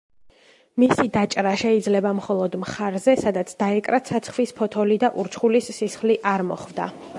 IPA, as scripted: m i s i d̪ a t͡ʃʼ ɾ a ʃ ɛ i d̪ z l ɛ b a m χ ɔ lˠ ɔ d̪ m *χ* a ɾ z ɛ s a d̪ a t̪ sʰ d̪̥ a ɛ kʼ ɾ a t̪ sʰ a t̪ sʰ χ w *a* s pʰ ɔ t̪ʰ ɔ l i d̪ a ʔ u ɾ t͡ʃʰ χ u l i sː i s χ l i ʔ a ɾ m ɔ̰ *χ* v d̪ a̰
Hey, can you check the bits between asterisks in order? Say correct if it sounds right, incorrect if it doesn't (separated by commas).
correct, incorrect, correct